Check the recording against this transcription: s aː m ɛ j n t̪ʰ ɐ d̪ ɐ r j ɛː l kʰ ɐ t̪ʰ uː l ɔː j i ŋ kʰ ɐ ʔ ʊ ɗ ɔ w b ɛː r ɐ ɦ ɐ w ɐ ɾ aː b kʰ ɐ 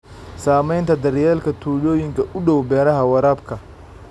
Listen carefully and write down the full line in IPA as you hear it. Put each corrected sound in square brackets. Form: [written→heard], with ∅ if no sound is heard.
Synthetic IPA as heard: s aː m ɛ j n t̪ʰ ɐ d̪ ɐ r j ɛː l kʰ ɐ t̪ʰ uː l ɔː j [i→ɪ] ŋ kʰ ɐ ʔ ʊ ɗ ɔ w b ɛː [r→ɾ] ɐ ɦ ɐ w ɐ ɾ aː b kʰ ɐ